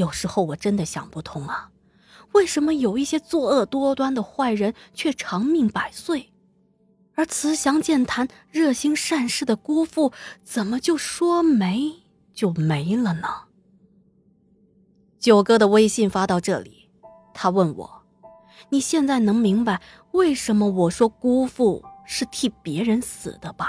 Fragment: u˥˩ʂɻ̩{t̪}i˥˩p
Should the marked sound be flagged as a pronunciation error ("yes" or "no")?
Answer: yes